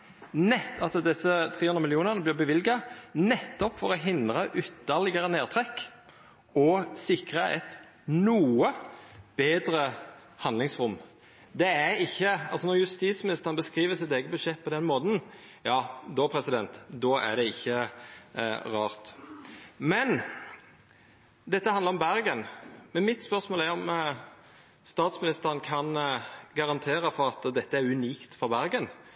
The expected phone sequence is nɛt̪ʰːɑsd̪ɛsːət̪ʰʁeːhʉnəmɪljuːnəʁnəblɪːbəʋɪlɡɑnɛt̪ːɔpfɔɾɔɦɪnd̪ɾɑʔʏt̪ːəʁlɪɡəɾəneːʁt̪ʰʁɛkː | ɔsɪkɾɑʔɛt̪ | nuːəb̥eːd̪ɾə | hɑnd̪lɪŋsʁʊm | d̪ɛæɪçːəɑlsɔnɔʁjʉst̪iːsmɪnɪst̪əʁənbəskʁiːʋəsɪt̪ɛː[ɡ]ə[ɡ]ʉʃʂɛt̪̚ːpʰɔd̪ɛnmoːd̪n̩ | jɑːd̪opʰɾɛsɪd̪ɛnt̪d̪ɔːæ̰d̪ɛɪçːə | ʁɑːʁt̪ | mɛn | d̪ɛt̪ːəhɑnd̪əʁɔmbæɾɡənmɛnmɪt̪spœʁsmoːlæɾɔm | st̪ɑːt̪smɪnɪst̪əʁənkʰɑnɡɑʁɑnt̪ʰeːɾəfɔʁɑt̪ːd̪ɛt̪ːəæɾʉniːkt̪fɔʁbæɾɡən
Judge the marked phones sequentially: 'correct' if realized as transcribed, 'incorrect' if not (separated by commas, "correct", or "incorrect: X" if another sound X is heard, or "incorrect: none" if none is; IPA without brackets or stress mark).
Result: correct, incorrect: b